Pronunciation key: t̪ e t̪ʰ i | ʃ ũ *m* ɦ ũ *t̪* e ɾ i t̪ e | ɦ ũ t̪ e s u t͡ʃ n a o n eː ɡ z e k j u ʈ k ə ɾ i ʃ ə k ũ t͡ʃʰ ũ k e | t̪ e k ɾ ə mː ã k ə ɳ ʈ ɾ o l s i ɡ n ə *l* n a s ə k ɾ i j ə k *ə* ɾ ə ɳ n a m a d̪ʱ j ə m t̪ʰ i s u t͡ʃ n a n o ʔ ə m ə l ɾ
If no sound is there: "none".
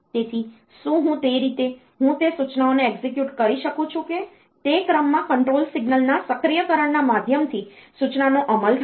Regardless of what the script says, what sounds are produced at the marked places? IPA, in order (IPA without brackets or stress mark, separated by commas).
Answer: none, t̪, l, ə